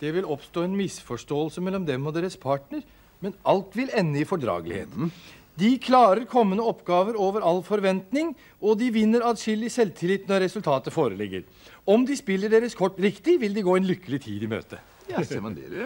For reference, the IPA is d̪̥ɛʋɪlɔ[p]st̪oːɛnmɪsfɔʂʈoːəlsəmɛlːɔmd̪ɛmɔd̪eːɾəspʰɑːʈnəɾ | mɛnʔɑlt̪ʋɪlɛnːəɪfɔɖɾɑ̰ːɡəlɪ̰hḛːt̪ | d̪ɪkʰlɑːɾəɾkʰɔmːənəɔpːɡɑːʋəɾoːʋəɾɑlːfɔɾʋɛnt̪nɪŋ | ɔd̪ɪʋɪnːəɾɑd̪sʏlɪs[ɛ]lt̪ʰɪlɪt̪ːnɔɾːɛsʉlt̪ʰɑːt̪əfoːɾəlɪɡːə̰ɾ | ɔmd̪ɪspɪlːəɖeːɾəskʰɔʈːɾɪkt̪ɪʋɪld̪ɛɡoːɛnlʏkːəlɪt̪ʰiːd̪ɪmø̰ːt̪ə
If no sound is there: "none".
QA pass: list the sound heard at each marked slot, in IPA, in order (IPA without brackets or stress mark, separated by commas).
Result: p, ɛ